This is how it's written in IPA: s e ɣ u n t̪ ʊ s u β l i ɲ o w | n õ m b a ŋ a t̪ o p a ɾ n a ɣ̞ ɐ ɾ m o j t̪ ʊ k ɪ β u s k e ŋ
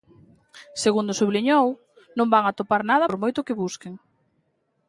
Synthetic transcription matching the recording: s e ɣ u n d̪ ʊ s u β l i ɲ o w | n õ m b a ŋ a t̪ o p a ɾ n a ð̞ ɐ ɾ m o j t̪ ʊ k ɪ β u s k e ŋ